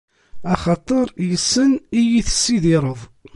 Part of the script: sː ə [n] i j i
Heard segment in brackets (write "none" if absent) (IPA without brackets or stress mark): n